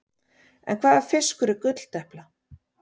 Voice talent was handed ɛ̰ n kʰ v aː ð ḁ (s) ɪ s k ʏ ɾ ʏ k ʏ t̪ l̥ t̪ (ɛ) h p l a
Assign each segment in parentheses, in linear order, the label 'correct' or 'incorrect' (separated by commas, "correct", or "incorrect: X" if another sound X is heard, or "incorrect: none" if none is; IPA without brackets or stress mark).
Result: incorrect: f, correct